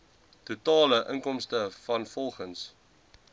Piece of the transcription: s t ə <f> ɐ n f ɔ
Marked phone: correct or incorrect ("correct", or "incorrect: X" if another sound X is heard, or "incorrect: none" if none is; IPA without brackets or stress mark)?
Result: correct